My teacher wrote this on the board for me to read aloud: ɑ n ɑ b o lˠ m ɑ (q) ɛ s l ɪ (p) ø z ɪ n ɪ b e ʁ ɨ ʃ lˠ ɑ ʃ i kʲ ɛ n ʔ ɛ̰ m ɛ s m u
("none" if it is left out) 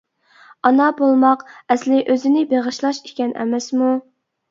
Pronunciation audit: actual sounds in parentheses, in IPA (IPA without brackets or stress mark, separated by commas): q, ʔ